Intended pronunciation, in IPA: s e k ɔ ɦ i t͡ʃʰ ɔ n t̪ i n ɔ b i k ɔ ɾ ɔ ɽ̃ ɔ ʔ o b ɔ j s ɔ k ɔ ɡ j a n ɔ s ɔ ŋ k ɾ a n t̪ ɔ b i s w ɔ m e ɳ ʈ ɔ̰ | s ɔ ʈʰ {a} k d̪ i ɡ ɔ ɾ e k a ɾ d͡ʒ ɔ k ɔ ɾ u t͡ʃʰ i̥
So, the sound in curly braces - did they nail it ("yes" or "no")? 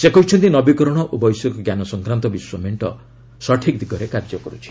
no